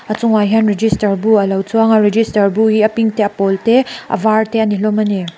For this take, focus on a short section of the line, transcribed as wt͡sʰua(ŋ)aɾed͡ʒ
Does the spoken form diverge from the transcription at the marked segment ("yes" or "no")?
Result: no